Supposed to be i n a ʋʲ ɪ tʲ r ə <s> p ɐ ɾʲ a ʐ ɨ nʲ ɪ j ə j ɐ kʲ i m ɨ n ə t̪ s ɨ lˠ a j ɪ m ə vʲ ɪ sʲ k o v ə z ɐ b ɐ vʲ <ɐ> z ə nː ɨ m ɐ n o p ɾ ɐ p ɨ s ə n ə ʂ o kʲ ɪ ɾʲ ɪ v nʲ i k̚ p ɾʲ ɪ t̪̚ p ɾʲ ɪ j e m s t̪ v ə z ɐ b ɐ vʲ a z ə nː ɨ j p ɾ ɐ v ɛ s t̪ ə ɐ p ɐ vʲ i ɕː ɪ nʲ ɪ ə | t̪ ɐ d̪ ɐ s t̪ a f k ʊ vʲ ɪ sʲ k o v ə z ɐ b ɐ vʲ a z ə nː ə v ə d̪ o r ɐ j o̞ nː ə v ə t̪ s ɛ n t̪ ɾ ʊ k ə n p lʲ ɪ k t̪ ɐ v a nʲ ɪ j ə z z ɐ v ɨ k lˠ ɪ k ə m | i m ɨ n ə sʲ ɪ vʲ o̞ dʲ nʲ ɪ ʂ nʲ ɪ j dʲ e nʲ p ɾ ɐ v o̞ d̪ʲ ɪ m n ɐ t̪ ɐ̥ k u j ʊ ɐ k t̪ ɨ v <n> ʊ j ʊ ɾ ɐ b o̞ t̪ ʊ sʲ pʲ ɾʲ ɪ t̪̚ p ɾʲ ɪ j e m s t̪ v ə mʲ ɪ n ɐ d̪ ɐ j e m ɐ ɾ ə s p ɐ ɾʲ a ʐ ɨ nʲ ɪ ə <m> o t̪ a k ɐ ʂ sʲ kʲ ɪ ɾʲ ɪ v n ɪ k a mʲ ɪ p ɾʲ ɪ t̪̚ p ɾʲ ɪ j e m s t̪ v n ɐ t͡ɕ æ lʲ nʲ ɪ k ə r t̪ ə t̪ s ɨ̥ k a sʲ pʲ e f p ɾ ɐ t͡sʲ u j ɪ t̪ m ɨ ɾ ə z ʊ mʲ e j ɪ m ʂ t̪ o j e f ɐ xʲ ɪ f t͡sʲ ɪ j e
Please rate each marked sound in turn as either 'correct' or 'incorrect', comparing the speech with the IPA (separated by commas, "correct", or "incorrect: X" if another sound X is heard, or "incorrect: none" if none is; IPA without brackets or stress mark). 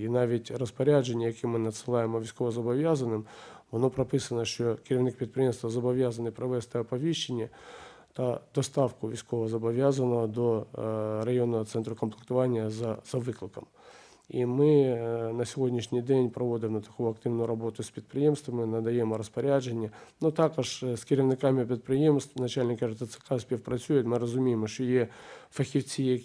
correct, incorrect: a, correct, incorrect: n